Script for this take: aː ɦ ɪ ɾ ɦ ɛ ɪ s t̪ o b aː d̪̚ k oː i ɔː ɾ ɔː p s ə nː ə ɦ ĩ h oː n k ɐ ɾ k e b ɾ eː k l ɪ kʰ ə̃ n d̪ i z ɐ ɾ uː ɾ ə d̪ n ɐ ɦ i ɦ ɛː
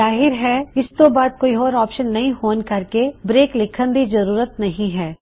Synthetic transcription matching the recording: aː ɦ ɪ ɾ ɦ ɛ ɪ s t̪ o b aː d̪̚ k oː i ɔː ɾ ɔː p ʃ ə nː ɐ ɦ ĩ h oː n k ɐ ɾ k e b ɾ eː k l ɪ kʰ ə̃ n d̪ i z ɐ ɾ uː ɾ ə t̪ n ɐ ɦ ĩ ɦ ɛː

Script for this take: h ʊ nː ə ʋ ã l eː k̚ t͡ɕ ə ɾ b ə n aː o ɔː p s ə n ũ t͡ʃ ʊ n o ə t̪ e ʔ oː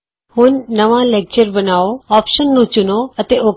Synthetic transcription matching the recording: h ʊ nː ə ʋ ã l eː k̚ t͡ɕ ə ɾ b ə n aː o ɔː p ʃ ə nː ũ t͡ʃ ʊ n o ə t̪ e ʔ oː

